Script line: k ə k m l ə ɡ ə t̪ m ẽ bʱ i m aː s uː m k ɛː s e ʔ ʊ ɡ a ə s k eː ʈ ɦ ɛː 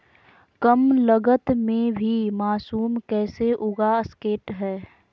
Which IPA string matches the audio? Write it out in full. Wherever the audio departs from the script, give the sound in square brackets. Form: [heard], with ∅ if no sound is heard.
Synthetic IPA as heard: k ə [∅] m l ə ɡ ə t̪ m ẽ bʱ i m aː s uː m k ɛː s e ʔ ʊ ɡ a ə s k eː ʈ ɦ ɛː